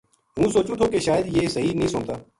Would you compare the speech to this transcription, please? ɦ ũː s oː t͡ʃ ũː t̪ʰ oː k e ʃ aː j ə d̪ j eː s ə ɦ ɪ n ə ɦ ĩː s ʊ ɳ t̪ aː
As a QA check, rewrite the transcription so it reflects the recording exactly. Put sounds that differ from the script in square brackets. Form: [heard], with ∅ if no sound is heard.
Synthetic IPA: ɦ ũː s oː t͡ʃ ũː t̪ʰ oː k e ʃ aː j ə d̪ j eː s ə ɦ [i] n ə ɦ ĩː s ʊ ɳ t̪ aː